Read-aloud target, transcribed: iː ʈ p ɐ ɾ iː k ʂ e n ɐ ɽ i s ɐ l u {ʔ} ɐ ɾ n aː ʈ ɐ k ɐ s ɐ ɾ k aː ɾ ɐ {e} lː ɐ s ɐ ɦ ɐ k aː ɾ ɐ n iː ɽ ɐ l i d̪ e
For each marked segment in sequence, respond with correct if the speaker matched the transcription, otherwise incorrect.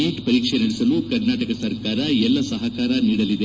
incorrect, incorrect

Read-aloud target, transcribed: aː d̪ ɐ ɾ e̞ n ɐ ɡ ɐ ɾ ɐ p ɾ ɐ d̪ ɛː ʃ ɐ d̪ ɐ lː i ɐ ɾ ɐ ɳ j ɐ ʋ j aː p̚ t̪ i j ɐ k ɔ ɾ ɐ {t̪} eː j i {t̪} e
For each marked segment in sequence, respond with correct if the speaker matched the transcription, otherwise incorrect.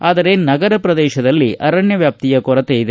correct, incorrect

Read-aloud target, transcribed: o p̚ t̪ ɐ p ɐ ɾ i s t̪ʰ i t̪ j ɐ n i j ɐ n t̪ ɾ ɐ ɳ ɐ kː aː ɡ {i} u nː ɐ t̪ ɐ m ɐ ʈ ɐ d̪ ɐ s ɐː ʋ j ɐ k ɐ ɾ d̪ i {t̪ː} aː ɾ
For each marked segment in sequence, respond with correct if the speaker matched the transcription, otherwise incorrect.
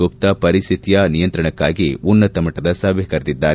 correct, incorrect

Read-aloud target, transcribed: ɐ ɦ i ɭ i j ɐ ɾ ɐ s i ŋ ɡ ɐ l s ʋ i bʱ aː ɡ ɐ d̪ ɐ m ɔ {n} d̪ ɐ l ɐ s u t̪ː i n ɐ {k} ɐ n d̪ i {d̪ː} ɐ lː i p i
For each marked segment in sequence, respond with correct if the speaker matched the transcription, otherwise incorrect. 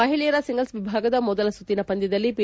incorrect, incorrect, incorrect

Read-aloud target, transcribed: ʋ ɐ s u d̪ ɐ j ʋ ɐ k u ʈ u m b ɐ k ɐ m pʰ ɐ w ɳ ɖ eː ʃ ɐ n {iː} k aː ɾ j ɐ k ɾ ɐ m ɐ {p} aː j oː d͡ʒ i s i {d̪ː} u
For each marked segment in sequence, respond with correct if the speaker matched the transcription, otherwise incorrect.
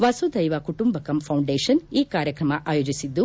correct, incorrect, correct

